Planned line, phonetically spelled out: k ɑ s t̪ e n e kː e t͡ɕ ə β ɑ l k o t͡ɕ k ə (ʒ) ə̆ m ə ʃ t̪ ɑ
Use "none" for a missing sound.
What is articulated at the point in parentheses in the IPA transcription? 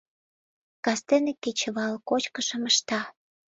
ʃ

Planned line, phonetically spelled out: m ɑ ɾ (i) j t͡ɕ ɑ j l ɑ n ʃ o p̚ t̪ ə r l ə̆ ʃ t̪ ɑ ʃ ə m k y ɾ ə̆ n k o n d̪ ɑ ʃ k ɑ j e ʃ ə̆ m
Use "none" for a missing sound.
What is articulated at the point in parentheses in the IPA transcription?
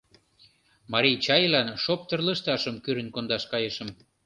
i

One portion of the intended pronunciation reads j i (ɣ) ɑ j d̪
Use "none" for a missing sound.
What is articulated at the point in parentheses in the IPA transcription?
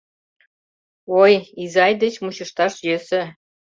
z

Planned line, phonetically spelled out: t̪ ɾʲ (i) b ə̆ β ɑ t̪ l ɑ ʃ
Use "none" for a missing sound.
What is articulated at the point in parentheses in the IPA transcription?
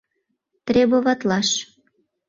e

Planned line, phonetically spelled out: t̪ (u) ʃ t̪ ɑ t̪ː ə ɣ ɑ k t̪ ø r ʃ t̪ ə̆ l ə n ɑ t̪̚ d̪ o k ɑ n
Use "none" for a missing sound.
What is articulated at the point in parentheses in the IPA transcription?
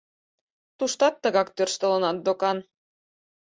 u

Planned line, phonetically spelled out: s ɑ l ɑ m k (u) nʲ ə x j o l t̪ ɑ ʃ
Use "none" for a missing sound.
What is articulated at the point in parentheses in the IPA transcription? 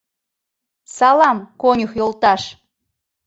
o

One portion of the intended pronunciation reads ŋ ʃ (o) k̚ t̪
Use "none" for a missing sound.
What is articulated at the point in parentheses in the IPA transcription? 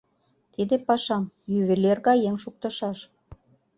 u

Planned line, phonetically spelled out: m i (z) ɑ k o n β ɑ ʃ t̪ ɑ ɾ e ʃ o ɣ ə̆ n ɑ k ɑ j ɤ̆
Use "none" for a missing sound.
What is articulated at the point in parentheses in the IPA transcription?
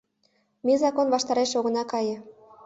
z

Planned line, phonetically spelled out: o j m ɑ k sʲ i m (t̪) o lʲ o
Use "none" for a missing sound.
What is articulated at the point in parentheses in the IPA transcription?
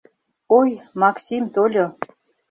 t̪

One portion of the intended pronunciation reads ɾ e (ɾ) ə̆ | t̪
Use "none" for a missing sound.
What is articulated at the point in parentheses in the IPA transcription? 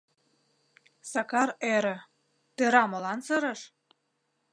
ɾ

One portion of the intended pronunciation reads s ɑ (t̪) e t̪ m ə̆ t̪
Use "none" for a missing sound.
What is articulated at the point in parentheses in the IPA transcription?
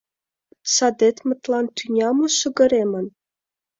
d̪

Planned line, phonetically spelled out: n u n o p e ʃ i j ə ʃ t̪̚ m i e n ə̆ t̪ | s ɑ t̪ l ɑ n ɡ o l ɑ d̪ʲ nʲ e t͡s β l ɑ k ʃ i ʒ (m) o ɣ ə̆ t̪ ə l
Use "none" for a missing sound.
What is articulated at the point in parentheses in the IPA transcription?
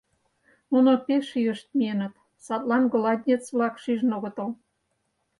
n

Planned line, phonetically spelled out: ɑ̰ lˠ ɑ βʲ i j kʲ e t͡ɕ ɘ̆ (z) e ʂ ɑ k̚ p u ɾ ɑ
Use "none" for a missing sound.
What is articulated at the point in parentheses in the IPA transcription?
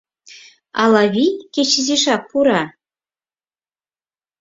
z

